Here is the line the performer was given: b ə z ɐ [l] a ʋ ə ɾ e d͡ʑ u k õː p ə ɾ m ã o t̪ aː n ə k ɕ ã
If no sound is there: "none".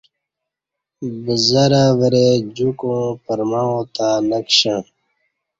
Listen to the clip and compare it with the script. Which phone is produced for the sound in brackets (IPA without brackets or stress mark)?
ɾ